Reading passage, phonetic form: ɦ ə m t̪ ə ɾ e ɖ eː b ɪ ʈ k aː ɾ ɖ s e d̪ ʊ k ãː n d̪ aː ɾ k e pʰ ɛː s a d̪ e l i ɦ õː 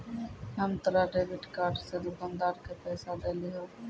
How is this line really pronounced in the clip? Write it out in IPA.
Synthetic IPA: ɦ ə m t̪ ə ɾ a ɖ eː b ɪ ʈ k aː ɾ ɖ s e d̪ ʊ k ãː n d̪ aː ɾ k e p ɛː s a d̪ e l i ɦ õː